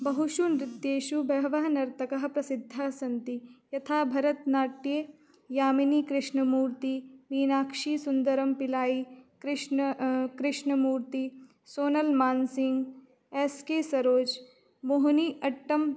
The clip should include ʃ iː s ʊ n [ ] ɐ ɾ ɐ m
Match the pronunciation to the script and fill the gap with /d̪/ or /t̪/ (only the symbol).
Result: d̪